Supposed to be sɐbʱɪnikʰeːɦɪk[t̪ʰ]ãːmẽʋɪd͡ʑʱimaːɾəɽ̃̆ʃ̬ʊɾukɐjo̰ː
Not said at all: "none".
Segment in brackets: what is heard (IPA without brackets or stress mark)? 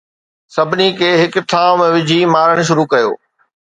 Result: t̪ʰ